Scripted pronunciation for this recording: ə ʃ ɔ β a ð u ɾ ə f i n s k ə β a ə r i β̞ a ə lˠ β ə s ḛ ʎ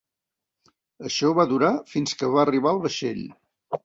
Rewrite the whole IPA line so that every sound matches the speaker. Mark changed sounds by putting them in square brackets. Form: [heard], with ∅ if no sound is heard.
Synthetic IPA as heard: ə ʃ ɔ β a ð u ɾ [a] f i n s k ə β a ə r i β̞ a ə lˠ β ə [ʃ] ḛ ʎ